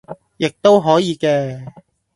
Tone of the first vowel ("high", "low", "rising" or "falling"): low